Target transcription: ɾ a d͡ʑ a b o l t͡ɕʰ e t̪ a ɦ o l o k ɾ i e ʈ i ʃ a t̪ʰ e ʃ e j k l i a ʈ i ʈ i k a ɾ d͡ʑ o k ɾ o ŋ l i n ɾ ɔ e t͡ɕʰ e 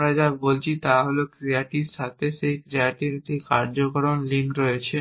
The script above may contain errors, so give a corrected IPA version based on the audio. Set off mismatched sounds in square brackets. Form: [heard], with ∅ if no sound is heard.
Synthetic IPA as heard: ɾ a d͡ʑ a b o l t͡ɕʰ [i] t̪ a ɦ o l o k ɾ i [a] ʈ i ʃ a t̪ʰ e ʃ e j k [ɾ] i a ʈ i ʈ i k a ɾ d͡ʑ o k ɾ o [n] l i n ɾ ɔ e t͡ɕʰ e

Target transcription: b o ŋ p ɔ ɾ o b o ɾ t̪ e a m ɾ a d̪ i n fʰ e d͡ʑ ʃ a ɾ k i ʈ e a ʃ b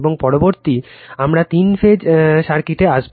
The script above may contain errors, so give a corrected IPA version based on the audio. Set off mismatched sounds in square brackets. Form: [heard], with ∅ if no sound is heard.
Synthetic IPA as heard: b o ŋ p ɔ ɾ o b o ɾ t̪ [i] a m ɾ a [t̪] i n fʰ e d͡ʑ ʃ a ɾ k i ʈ e a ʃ b

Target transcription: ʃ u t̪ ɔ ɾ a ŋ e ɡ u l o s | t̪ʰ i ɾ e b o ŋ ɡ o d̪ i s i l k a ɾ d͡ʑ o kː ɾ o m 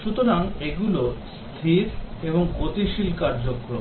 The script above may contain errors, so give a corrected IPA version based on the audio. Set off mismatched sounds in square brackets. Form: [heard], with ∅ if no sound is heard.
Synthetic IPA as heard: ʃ u t̪ [o] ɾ a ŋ e ɡ u l o s | t̪ʰ i ɾ e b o ŋ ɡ o [t̪] i [ʃ] i l k a ɾ d͡ʑ o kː ɾ o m

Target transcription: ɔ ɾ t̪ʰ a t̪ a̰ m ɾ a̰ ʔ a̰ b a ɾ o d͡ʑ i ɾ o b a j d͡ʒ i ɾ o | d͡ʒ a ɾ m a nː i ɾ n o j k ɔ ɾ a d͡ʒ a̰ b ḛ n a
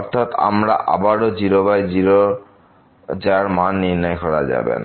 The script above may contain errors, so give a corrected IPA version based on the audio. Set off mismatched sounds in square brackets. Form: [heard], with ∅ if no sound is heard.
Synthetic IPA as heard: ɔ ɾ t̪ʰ a t̪ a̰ m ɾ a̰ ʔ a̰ b a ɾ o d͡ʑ i ɾ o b a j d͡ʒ i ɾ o | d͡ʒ a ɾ m a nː i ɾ n [ɔ] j k ɔ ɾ a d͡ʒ a̰ b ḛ n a

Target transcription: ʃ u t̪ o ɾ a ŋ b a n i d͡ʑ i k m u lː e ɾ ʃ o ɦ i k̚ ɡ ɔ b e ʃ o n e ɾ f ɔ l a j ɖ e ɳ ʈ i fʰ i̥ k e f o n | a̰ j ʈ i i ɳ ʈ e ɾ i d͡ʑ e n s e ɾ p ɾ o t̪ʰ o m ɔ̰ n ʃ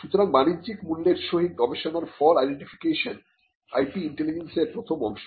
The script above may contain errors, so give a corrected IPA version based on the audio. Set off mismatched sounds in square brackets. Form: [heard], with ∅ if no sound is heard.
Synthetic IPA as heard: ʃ u t̪ o ɾ a ŋ b a n i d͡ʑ i k m u lː e ɾ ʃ o ɦ i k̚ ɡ ɔ b e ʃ o n [a] ɾ f ɔ l a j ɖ e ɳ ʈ i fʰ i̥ k e [ʃ] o n | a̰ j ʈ i i ɳ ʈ e [l] i d͡ʑ e n s e ɾ p ɾ o t̪ʰ o m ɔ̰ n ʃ

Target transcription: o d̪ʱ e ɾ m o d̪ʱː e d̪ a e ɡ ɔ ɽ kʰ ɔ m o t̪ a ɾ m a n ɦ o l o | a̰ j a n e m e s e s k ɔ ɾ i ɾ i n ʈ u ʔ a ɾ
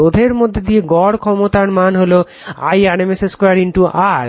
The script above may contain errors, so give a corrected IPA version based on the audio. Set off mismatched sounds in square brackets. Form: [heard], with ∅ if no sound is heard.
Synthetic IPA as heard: o d̪ʱ e ɾ m o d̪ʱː e d̪ [i] e ɡ ɔ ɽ kʰ ɔ m o t̪ a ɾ m a n ɦ o l o | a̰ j a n e m e s e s k ɔ ɾ [a] ɾ i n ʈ u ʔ a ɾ

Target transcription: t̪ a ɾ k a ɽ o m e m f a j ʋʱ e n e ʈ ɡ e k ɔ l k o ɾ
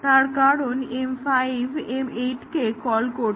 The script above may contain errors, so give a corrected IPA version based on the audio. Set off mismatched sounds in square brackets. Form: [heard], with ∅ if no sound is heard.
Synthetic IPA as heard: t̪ a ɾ k a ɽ o [n] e m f a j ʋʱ e [m] e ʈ [k] e k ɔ l k o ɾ

